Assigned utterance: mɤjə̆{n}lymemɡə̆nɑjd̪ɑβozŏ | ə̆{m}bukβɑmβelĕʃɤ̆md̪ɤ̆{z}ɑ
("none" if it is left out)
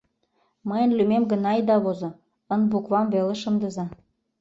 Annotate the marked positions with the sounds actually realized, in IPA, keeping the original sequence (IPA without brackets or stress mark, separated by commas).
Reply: n, n, z